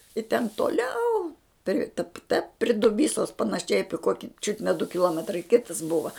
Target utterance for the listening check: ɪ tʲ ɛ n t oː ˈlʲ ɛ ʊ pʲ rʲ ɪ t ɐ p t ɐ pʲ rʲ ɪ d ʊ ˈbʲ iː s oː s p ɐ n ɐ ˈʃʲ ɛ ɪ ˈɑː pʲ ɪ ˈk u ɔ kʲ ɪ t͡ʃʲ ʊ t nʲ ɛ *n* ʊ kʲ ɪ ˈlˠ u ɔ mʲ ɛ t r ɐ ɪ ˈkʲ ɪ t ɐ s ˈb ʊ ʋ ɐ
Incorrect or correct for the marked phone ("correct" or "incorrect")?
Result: incorrect